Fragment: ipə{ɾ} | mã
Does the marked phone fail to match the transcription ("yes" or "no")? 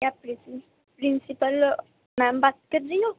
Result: yes